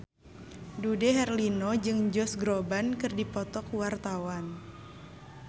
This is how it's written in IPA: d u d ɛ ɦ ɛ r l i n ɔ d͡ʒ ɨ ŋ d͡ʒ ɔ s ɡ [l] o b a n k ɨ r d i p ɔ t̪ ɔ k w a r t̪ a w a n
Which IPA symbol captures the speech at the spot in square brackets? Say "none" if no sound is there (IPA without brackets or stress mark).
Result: ɾ